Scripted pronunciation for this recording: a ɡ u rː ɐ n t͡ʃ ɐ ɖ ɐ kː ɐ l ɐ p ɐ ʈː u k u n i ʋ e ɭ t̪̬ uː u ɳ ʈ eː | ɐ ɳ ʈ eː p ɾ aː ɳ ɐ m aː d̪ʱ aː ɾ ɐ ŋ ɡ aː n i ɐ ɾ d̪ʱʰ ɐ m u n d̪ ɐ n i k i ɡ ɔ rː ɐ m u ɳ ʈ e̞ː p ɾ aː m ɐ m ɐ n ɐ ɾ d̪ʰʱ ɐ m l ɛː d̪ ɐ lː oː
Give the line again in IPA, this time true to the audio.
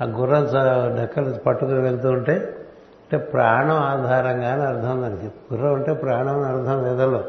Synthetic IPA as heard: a ɡ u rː ɐ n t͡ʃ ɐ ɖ ɐ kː ɐ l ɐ p ɐ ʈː u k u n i ʋ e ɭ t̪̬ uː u ɳ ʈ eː | ɐ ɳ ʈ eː p ɾ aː ɳ ɐ m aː d̪ʱ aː ɾ ɐ ŋ ɡ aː n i ɐ ɾ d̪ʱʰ ɐ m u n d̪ ɐ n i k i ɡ u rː ɐ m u ɳ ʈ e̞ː p ɾ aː ɳ ɐ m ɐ n ɐ ɾ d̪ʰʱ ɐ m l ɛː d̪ ɐ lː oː